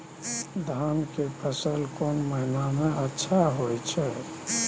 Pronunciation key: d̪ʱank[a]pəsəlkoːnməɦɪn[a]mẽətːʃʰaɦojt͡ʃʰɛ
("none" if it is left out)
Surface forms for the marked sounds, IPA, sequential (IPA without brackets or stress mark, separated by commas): e, a